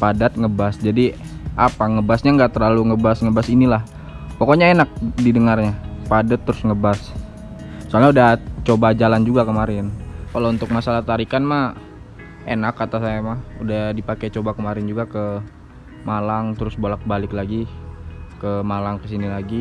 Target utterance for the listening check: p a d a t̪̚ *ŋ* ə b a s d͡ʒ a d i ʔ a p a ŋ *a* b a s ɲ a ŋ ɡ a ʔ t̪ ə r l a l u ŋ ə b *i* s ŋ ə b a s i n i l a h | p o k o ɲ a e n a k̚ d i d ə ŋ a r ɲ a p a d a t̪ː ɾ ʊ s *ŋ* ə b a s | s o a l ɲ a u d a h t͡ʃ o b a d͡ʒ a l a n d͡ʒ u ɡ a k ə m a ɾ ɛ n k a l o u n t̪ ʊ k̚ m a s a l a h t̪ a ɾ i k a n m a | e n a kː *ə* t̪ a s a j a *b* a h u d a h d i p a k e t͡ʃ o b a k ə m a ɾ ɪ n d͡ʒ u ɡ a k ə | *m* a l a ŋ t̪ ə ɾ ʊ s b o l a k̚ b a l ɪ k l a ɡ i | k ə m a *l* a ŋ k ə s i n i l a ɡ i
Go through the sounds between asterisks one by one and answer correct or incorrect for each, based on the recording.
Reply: correct, incorrect: ə, incorrect: a, correct, incorrect: a, incorrect: m, correct, correct

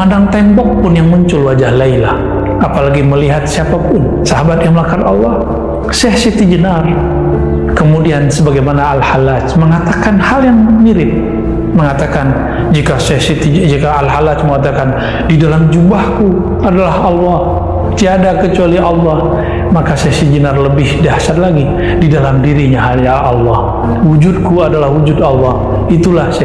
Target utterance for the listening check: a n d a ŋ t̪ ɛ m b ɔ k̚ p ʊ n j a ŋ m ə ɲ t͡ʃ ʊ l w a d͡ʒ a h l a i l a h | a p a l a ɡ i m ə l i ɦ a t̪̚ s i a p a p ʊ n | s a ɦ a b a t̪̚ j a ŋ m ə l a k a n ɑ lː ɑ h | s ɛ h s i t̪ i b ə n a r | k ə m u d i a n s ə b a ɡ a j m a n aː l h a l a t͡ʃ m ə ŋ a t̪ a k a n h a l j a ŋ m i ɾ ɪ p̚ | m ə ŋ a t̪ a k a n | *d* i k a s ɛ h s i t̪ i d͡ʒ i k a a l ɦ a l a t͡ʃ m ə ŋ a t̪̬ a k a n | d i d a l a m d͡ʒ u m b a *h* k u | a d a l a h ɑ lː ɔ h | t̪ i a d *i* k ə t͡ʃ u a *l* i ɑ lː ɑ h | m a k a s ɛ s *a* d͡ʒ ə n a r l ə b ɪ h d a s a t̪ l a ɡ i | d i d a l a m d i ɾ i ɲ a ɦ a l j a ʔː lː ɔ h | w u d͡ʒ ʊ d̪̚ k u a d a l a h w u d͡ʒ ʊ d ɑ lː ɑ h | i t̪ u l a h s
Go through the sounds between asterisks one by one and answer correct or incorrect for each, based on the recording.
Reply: incorrect: d͡ʒ, correct, incorrect: a, correct, incorrect: i

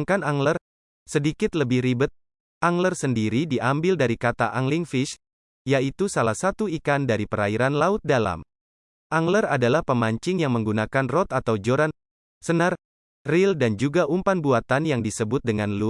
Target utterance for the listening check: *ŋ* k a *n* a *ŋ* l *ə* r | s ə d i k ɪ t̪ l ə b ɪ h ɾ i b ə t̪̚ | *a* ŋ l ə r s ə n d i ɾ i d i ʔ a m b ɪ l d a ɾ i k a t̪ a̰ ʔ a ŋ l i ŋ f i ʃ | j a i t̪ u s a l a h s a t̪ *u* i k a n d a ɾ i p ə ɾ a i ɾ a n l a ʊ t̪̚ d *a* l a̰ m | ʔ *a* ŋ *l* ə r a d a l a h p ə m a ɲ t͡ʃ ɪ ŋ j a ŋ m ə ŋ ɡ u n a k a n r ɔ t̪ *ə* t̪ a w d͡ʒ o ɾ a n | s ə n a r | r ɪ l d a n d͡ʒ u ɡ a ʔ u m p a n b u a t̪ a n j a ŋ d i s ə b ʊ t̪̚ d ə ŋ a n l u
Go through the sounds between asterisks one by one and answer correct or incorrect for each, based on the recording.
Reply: correct, correct, correct, correct, correct, correct, correct, correct, correct, incorrect: a

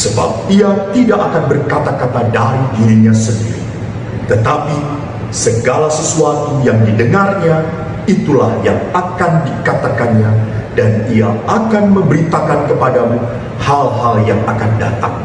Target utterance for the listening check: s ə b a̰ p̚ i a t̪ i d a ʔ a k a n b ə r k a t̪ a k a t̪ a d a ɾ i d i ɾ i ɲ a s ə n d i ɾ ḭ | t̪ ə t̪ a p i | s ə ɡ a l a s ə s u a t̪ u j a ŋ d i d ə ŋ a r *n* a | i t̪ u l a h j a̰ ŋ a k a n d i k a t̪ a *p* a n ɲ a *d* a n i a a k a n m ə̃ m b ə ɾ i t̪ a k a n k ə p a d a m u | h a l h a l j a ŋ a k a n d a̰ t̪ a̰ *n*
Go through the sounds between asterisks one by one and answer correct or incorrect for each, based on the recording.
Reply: incorrect: ɲ, incorrect: k, correct, incorrect: ŋ

